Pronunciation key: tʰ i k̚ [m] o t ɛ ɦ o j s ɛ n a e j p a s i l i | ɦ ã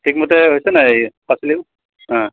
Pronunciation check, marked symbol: correct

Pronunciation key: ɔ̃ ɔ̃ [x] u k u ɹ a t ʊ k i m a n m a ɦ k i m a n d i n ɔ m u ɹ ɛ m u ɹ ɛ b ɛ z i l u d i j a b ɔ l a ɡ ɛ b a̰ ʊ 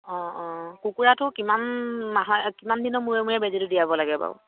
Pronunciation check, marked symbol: incorrect: k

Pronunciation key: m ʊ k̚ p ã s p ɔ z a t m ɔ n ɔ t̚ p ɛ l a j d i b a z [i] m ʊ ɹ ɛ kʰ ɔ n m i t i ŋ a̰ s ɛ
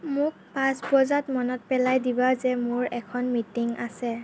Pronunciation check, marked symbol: incorrect: ɛ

